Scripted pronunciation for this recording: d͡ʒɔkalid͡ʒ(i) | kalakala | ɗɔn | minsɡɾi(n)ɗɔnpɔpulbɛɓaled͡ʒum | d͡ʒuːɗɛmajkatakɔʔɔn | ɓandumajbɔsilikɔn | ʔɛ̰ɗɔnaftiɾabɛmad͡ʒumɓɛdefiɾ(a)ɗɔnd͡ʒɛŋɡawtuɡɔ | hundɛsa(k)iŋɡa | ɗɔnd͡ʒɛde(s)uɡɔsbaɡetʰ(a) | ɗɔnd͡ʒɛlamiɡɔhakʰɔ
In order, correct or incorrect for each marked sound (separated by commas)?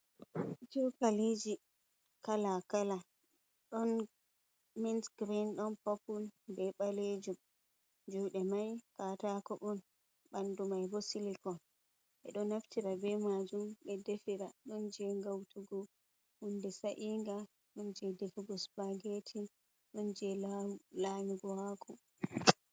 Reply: correct, correct, correct, incorrect, incorrect, incorrect